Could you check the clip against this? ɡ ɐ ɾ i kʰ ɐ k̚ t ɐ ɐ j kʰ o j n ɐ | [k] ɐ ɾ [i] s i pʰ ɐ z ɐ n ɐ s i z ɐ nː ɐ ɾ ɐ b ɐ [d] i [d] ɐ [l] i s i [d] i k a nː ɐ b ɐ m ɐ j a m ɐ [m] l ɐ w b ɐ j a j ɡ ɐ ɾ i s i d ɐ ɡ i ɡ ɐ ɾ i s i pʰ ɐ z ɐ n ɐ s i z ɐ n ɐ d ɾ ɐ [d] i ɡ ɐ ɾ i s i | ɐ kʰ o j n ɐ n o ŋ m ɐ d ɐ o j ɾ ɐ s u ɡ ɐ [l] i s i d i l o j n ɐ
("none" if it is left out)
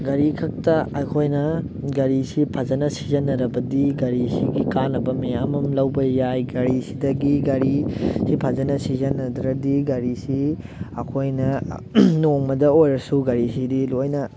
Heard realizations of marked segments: ɡ, i, d, ɡ, ɾ, ɡ, m, d, ɾ

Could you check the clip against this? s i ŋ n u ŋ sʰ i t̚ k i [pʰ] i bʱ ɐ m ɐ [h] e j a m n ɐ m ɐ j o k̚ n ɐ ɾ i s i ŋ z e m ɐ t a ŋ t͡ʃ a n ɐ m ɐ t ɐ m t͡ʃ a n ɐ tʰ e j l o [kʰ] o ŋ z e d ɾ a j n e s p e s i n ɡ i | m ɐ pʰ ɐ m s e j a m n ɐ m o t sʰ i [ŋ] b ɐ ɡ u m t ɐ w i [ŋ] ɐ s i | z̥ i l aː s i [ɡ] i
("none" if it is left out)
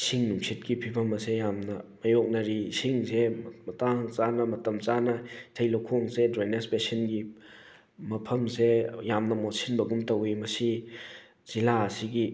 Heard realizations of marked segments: pʰ, s, kʰ, n, m, ɡ

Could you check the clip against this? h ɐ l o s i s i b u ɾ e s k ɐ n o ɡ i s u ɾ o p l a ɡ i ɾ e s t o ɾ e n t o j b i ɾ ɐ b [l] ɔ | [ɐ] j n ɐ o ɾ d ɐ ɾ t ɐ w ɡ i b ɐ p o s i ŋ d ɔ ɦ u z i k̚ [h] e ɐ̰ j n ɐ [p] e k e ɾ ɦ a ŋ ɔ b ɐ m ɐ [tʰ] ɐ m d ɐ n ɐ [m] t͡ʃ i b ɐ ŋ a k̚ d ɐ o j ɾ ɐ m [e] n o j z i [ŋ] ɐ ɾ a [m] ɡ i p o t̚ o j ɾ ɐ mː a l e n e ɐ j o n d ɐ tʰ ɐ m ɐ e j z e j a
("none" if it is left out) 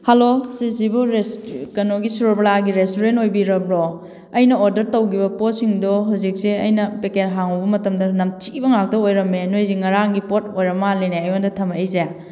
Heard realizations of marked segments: ɾ, ɐ, s, p, t, m, e, ŋ, ŋ

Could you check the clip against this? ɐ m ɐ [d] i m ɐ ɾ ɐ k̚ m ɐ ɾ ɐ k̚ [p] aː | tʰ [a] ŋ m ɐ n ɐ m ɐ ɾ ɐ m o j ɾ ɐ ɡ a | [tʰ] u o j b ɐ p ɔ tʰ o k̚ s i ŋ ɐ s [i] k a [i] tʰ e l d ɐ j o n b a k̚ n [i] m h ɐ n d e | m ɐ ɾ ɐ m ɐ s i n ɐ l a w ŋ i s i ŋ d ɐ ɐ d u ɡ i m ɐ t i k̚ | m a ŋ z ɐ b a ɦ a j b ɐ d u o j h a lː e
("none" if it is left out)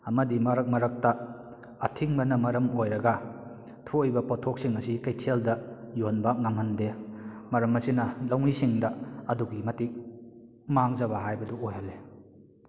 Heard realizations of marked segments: d, t, i, tʰ, i, j, a

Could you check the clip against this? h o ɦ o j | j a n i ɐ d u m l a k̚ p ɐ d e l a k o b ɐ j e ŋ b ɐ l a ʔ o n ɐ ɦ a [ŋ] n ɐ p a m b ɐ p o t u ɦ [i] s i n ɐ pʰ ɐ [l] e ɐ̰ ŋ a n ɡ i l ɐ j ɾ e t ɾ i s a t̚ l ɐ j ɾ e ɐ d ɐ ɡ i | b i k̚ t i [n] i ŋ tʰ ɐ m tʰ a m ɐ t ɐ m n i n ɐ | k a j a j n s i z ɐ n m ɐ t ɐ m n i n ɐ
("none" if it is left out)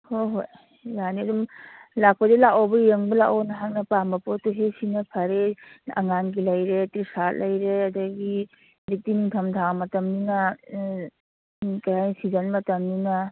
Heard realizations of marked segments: ŋ, e, ɾ, n

